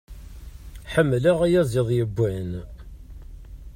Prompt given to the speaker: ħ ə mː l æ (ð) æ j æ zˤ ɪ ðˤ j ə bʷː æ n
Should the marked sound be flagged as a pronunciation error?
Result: yes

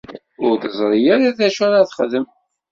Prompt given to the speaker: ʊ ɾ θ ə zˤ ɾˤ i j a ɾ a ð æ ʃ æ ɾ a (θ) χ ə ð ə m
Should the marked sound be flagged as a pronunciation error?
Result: no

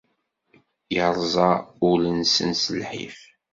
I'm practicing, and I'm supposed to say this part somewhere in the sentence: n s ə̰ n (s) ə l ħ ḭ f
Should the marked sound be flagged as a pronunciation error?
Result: no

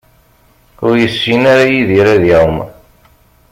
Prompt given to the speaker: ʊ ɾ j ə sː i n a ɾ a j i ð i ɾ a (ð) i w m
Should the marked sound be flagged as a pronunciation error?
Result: no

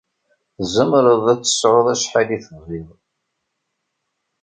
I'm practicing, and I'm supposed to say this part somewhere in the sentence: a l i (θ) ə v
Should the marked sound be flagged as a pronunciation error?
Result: no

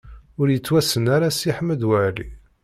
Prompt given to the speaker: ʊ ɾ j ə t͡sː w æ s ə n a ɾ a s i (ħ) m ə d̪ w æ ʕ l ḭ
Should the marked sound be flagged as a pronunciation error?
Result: no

